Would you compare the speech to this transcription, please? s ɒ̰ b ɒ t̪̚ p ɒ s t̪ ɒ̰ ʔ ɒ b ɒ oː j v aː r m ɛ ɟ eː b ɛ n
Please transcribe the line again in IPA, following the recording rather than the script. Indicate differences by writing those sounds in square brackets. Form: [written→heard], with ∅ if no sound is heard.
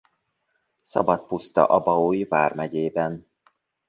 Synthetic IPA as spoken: s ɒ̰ b ɒ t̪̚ p [ɒ→u] s t̪ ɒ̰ ʔ ɒ b ɒ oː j v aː r m ɛ ɟ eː b ɛ n